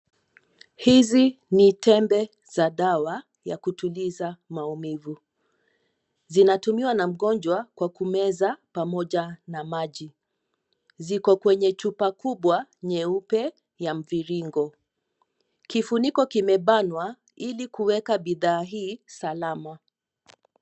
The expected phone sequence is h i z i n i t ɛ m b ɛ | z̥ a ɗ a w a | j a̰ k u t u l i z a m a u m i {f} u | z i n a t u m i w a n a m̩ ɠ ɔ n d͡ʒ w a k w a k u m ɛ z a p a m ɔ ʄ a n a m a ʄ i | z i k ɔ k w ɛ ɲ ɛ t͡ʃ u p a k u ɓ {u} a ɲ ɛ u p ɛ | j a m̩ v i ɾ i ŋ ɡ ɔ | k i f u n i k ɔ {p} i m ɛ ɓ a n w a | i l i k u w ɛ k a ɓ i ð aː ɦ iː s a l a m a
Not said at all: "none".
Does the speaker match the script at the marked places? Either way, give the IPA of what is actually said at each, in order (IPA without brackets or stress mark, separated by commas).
v, w, k